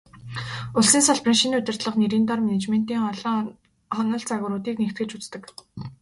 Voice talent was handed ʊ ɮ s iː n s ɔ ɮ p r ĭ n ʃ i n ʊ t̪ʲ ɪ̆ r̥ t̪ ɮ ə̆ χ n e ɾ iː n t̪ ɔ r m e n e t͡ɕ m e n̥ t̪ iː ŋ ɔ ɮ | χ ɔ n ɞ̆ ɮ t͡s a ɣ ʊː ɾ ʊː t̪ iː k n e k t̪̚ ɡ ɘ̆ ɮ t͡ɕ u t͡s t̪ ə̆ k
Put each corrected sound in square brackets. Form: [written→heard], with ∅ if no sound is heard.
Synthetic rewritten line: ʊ ɮ s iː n s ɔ ɮ p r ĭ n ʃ i n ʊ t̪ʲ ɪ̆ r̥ t̪ ɮ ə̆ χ n e ɾ iː n t̪ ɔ r m e n e t͡ɕ m e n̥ t̪ iː ŋ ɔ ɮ | χ ɔ n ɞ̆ ɮ t͡s a ɣ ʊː ɾ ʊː t̪ iː k n e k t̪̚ ɡ ɘ̆ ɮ t͡ɕ u t͡s t̪ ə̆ k